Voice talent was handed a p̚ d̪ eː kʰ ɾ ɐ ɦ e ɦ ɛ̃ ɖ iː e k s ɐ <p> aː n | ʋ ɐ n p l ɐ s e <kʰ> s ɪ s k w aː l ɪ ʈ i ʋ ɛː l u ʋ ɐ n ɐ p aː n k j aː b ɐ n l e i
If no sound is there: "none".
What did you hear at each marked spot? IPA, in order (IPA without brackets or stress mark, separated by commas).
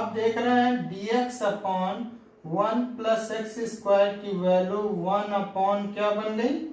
p, k